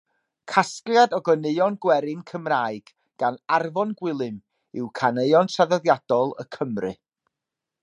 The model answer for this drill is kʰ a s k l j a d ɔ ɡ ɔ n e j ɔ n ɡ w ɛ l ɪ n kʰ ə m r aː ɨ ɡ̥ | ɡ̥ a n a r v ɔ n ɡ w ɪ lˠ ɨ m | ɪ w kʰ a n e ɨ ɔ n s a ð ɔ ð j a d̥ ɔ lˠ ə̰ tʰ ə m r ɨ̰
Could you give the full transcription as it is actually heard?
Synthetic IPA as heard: kʰ a s k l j a d ɔ ɡ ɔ n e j ɔ n ɡ w ɛ ɾ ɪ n kʰ ə m r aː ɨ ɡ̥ | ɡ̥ a n a r v ɔ n ɡ w ɪ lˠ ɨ m | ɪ w kʰ a n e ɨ ɔ n s a ð ɔ ð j a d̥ ɔ lˠ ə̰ kʰ ə m r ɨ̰